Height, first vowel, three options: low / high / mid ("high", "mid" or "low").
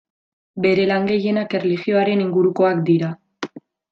mid